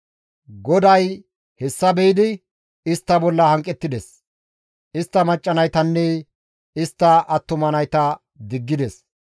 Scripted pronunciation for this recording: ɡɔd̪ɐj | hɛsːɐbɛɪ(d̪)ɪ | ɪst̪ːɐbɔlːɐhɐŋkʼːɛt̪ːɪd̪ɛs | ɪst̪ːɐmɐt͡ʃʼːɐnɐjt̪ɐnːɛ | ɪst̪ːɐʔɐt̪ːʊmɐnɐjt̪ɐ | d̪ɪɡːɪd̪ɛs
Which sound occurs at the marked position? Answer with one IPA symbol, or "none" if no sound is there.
d̪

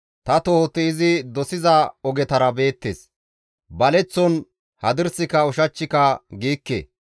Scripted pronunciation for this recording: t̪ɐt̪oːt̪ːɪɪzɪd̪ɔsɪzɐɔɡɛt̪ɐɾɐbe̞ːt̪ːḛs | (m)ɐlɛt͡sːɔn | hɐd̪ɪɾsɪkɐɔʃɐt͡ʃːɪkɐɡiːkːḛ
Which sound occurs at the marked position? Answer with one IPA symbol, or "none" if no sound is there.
b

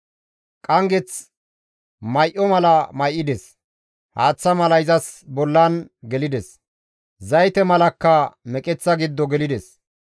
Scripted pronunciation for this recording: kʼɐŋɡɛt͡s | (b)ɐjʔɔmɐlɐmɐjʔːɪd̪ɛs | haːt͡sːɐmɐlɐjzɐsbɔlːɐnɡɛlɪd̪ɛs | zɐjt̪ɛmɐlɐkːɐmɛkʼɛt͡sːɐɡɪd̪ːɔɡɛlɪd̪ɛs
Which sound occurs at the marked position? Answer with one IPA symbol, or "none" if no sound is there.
m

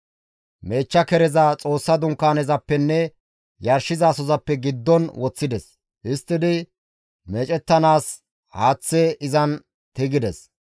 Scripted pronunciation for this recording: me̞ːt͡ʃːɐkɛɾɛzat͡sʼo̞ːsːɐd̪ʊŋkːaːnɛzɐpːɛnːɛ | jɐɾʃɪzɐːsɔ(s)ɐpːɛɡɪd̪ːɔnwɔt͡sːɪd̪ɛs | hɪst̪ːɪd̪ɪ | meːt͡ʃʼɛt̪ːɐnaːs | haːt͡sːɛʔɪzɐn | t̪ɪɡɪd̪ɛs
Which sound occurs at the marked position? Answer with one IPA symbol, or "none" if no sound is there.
z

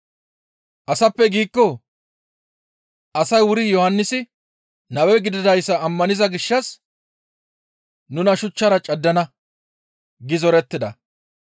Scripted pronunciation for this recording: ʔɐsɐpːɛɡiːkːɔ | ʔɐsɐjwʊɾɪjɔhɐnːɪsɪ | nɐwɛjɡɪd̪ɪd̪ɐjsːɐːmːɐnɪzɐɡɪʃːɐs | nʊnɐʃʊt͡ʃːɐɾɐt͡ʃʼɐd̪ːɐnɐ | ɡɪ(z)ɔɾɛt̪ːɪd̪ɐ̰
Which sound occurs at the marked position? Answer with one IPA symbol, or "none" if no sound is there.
z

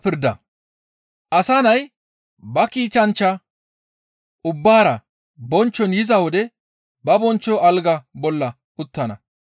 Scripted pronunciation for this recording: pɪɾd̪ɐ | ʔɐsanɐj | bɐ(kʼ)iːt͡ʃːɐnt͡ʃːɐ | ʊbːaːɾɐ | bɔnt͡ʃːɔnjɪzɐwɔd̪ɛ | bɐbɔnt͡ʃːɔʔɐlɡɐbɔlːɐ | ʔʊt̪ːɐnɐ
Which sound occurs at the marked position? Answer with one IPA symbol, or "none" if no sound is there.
k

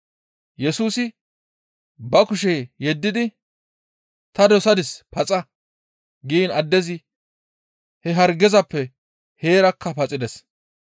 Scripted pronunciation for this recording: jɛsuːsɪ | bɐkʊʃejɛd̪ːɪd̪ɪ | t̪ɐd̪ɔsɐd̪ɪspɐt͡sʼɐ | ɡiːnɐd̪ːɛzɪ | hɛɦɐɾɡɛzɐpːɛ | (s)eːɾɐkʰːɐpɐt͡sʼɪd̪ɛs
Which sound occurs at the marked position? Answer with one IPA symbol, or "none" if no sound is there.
h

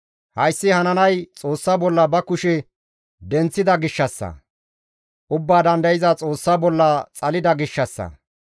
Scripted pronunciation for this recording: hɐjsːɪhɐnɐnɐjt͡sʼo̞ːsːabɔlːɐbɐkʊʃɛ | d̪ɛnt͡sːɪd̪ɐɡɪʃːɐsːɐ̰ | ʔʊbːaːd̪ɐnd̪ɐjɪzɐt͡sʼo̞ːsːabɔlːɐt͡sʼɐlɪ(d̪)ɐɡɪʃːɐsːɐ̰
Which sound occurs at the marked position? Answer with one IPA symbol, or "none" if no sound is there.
d̪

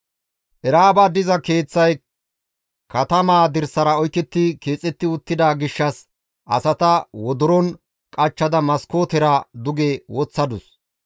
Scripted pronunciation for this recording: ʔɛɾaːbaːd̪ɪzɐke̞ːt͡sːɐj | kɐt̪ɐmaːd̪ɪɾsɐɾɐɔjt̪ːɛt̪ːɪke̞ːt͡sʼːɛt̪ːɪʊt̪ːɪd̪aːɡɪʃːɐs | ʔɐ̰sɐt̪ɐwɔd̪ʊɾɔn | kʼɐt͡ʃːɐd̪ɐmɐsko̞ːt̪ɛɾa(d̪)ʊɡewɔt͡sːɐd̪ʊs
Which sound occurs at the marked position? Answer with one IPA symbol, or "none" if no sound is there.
d̪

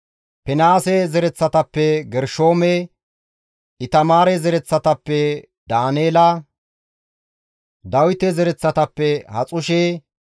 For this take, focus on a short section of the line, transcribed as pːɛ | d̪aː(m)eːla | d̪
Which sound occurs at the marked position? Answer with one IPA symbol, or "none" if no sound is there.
n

